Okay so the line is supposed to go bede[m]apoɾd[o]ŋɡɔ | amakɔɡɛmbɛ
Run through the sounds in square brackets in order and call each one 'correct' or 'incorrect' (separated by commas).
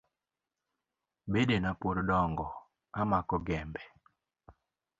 incorrect, incorrect